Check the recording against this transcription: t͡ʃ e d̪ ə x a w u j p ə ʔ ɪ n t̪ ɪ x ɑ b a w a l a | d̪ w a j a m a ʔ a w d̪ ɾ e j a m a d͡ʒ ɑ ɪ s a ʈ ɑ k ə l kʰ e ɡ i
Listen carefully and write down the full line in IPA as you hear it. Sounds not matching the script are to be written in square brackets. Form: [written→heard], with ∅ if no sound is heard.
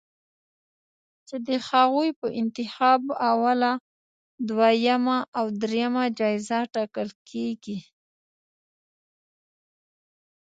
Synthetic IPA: t͡ʃ e d̪ ə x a [w→ɣ] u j p ə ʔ ɪ n t̪ ɪ x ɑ b a w a l a | d̪ w a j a m a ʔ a w d̪ ɾ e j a m a d͡ʒ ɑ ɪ [s→z] a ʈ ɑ k ə l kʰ e ɡ i